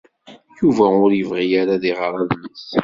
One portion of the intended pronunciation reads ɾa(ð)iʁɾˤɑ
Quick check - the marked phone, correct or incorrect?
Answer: correct